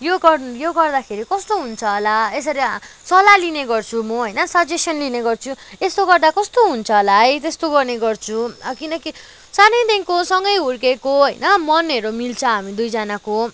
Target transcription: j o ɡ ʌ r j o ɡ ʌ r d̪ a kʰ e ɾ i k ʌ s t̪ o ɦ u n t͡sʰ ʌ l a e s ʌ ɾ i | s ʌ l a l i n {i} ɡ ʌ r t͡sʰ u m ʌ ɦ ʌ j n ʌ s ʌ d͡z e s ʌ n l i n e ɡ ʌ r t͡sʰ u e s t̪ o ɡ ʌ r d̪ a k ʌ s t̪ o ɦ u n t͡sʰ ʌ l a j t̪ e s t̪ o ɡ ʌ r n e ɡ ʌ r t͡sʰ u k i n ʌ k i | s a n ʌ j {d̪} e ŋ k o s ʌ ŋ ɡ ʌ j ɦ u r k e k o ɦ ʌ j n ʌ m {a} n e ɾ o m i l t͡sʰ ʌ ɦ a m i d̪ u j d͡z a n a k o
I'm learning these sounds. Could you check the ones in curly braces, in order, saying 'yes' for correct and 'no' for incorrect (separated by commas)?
no, yes, no